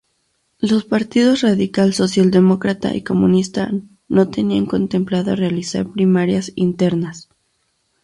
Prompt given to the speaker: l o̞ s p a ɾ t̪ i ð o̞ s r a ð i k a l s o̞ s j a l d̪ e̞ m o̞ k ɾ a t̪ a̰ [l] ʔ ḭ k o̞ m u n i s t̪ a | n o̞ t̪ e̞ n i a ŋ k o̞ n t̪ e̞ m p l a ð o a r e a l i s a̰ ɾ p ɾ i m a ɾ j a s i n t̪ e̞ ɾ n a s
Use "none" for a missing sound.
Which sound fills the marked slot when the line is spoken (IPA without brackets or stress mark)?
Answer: none